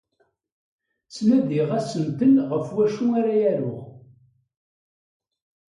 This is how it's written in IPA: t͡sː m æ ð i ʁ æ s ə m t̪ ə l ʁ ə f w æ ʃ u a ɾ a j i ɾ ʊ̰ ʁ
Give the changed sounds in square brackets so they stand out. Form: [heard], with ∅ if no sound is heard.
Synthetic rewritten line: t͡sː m æ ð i ʁ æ s ə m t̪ ə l ʁ ə f w æ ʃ u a ɾ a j [æ] ɾ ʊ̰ ʁ

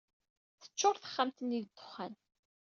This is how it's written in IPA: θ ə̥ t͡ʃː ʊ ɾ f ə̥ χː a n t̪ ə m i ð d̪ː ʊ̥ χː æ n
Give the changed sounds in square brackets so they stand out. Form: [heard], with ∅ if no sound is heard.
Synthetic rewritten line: θ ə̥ t͡ʃː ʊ ɾ [θ] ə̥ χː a [m] t̪ ə [n] i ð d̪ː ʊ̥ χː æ n

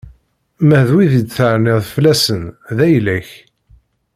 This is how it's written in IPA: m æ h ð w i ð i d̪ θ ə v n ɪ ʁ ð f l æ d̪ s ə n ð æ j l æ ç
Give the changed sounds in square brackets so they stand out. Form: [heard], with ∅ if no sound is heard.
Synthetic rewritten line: m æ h ð w i ð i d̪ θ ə [ʕ] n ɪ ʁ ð f l æ [∅] s ə n ð æ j l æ ç

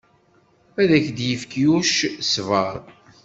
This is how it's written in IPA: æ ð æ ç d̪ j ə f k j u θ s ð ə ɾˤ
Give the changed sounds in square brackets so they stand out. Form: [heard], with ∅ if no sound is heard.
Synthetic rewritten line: æ ð æ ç d̪ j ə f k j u [ʃ] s [v] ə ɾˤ

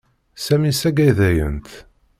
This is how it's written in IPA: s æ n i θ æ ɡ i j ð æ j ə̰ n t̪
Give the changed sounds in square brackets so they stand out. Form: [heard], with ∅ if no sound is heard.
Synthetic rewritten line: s æ [m] i [s] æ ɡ [æ] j ð æ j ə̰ n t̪

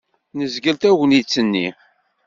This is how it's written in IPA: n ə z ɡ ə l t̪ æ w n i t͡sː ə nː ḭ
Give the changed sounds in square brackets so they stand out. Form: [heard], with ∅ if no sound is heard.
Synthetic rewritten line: n ə z ɡ ə l t̪ æ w n i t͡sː ə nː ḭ

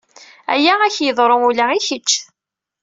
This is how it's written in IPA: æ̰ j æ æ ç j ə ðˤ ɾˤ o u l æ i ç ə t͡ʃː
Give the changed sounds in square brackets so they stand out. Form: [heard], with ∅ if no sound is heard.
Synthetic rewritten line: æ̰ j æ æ ç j ə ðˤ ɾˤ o u l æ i ç ə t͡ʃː

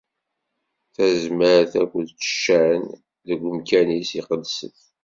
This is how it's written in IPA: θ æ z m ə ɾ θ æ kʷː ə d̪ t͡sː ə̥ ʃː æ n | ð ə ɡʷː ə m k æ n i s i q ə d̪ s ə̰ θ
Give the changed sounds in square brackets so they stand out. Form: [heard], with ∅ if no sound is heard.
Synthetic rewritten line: θ æ z m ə ɾ θ æ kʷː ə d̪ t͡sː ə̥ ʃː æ n | ð ə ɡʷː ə m k æ n i s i q ə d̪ s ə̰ θ

